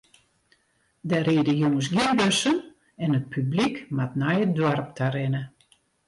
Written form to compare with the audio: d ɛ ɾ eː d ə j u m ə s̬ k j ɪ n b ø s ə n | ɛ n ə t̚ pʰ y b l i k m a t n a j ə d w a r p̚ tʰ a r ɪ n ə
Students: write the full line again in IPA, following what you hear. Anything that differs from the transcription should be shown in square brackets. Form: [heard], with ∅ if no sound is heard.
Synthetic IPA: d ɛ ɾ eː d ə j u [ŋ] ə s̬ [ɡ] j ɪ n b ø s ə n | ɛ n ə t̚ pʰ y b l i k m a t n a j ə d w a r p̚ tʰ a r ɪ n ə